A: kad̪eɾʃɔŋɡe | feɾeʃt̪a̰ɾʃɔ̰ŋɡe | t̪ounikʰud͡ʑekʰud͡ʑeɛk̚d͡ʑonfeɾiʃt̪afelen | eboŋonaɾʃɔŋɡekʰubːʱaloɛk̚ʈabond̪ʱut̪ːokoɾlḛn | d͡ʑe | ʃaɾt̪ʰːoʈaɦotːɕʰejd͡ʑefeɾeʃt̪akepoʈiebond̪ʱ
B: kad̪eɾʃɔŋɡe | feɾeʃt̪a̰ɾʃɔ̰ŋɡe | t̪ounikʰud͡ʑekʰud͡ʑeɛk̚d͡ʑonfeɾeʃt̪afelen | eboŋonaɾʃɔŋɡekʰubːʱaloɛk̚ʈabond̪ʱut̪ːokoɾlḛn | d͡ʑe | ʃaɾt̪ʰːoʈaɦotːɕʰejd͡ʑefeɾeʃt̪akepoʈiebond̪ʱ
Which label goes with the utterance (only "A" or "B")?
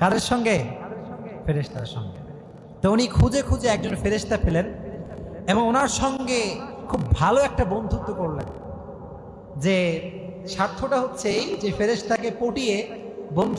B